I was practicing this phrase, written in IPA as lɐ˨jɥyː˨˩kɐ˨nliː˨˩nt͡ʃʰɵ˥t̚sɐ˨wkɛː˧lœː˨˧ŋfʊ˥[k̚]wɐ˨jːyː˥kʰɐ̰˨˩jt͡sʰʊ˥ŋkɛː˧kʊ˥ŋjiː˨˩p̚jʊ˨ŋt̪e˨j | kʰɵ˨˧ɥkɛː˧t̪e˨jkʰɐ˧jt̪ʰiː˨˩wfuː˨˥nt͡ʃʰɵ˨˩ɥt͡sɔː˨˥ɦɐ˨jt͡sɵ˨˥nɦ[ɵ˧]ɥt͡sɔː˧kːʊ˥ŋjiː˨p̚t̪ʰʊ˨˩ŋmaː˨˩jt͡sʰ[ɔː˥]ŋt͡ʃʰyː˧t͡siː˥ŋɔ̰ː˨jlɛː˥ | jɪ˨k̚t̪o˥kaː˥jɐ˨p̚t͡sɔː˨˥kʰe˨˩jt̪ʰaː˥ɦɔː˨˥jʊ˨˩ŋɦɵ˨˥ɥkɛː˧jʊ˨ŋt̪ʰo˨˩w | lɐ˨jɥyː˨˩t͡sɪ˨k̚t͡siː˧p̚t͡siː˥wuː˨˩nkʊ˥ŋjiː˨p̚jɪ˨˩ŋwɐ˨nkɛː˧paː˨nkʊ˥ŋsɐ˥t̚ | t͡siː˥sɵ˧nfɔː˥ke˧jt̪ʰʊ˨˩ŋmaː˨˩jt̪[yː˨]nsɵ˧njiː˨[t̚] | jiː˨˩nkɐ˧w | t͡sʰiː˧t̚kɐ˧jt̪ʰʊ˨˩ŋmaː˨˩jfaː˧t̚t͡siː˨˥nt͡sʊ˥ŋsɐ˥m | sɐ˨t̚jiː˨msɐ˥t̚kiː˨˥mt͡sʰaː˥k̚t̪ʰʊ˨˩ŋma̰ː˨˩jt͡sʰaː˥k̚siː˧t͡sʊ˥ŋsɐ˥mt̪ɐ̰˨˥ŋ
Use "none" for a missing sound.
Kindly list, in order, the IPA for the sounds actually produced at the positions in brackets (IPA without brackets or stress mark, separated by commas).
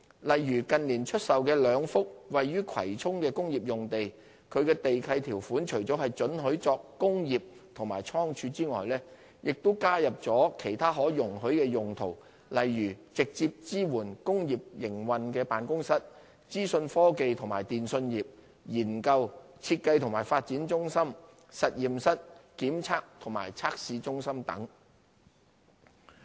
k̚, ɵ˨˥, ɔː˥, iː˨, p̚